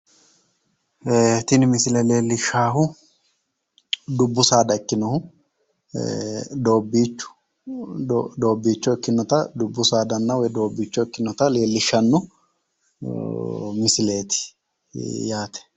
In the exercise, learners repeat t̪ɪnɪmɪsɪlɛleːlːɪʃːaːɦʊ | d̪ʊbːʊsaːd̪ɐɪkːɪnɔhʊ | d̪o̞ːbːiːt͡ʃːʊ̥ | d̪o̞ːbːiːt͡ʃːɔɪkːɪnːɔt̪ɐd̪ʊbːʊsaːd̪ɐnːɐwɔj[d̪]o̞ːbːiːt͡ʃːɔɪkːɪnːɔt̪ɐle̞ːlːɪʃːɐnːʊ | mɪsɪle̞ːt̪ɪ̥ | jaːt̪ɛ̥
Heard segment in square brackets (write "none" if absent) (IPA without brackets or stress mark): d̪